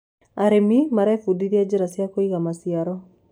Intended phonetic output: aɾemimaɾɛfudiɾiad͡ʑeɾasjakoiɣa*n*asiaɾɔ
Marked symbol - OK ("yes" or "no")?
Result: no